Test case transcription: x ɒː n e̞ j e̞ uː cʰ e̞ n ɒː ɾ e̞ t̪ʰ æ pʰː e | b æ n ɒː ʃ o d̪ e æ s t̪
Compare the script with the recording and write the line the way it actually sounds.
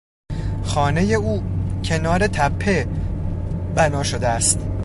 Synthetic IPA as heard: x ɒː n e̞ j e̞ uː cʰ e̞ n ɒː ɾ e̞ t̪ʰ æ pʰː e | b æ n ɒː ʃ o d̪ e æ s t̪